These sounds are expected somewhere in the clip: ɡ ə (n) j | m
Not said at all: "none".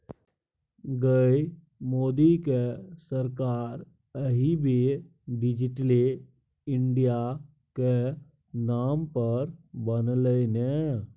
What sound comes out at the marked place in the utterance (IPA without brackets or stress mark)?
none